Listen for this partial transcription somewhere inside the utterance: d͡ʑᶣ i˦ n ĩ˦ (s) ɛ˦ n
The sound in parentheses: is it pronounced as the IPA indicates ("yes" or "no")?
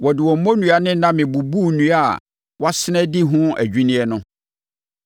no